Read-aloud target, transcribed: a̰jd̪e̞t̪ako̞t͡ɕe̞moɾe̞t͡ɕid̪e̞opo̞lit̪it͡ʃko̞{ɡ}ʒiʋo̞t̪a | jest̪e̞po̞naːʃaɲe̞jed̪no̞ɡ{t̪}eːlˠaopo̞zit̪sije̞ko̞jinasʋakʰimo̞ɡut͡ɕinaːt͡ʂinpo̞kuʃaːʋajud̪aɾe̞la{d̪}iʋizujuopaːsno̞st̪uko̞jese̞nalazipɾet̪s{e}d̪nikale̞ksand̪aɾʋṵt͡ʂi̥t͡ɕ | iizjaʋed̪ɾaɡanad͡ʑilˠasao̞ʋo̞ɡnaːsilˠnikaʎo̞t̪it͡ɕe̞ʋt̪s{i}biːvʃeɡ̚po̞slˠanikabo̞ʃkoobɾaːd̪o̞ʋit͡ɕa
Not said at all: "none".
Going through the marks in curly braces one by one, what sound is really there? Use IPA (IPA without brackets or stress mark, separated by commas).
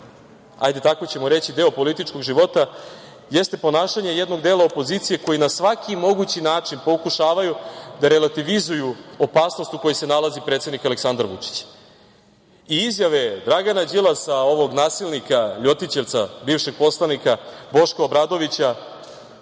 ɡ, d̪, t̪, e, a